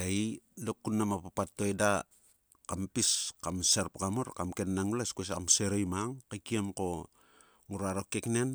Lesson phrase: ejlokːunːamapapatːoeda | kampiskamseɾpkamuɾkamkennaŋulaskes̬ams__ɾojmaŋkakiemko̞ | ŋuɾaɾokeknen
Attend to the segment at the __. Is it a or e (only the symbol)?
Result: e